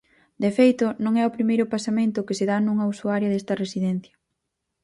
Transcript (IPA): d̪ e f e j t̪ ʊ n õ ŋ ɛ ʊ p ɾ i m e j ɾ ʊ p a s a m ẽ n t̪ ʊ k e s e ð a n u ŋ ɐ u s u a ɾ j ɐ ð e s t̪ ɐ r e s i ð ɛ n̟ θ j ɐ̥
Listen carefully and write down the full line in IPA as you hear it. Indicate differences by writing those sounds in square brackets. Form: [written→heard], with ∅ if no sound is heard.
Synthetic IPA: d̪ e f e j t̪ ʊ n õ ŋ ɛ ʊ p ɾ i m e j ɾ ʊ p a s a m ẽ n t̪ ʊ k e s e ð a n u ŋ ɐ u s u a ɾ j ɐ ð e s t̪ ɐ r e s i ð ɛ n̟ θ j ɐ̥